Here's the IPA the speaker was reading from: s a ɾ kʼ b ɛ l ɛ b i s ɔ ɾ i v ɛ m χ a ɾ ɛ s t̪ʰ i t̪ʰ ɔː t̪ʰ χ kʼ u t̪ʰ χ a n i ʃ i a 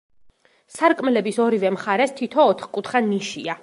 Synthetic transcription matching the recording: s a ɾ kʼ m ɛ l ɛ b i s ɔ ɾ i v ɛ m χ a ɾ ɛ s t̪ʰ i t̪ʰ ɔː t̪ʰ χ kʼ u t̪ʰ χ a n i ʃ i a